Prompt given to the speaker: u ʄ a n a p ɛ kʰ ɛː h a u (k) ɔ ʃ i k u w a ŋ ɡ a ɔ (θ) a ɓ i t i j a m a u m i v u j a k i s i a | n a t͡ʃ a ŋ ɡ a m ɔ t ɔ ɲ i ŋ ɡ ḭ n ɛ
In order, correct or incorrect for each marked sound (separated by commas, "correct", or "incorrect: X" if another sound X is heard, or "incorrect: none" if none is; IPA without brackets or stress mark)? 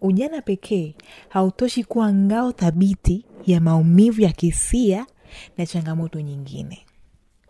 incorrect: t, correct